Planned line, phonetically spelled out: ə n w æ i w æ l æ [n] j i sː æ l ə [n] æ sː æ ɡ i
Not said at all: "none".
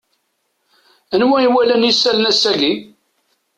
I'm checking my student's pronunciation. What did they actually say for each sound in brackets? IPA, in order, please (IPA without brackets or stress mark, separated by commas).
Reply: n, n